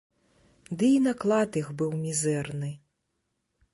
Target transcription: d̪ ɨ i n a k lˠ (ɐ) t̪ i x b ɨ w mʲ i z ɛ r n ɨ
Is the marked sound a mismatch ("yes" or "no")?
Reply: yes